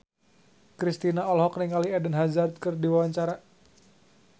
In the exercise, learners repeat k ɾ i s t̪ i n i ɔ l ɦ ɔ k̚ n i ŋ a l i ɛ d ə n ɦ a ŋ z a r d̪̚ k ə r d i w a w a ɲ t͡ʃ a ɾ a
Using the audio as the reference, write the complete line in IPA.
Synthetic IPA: k ɾ i s t̪ i n a ɔ l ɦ ɔ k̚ n i ŋ a l i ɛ d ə n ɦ a z a r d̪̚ k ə r d i w a w a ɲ t͡ʃ a ɾ a

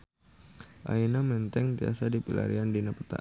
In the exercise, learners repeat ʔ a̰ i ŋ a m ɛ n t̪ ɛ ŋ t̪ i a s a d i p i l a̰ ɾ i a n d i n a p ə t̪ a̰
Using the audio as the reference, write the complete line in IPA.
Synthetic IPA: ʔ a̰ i n a m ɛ n t̪ ɛ ŋ t̪ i a s a d i p i l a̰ ɾ i a n d i n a p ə t̪ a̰

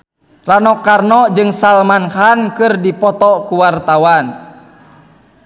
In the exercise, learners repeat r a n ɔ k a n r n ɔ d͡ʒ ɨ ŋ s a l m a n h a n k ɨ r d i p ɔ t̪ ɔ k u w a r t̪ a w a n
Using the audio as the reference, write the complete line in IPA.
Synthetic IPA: r a n ɔ k a r n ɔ d͡ʒ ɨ ŋ s a l m a n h a n k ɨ r d i p ɔ t̪ ɔ k u w a r t̪ a w a n

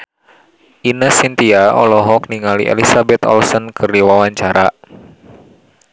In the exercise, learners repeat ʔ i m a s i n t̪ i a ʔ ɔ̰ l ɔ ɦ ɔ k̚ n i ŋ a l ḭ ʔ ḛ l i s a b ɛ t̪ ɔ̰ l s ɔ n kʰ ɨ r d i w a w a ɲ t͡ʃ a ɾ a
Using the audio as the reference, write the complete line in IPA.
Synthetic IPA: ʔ i n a s i n t̪ i a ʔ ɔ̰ l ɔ ɦ ɔ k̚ n i ŋ a l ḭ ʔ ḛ l i s a b ɛ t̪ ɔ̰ l s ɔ n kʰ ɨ r d i w a w a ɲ t͡ʃ a ɾ a

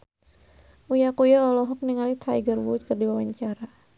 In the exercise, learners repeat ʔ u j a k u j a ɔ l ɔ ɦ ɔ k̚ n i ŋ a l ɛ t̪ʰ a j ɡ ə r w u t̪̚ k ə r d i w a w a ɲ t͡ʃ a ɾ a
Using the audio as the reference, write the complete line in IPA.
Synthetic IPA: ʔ u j a k u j a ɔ l ɔ ɦ ɔ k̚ n i ŋ a l i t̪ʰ a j ɡ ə r w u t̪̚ k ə r d i w a w a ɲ t͡ʃ a ɾ a

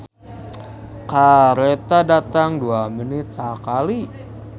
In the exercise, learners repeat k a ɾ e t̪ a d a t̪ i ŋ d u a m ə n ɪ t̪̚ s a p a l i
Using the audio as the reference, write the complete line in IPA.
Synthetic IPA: k a ɾ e t̪ a d a t̪ a ŋ d u a m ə n ɪ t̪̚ s a k a l i

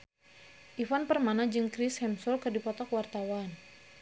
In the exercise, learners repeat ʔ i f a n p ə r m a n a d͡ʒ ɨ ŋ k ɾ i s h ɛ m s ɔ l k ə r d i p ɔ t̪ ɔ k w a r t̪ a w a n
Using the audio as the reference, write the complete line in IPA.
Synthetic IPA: ʔ i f a n p ə r m a n a d͡ʒ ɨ ŋ k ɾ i s h ɛ m s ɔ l k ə r d i p ɔ t̪ ɔ k w a r t̪ a w a n

